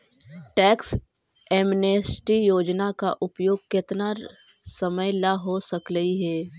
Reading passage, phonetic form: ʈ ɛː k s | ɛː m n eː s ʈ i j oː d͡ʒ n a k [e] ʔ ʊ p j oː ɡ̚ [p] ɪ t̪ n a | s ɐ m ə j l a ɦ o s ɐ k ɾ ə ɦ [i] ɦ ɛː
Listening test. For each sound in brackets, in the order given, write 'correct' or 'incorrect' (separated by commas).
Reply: incorrect, incorrect, correct